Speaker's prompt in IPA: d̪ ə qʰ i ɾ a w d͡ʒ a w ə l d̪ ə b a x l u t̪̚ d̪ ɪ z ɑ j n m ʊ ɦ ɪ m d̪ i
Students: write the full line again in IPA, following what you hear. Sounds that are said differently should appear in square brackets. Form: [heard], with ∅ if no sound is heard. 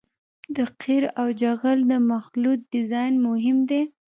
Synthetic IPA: d̪ ə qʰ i ɾ a w d͡ʒ a [ɣ] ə l d̪ ə [m] a x l u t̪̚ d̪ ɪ z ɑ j n m ʊ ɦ ɪ m d̪ [e]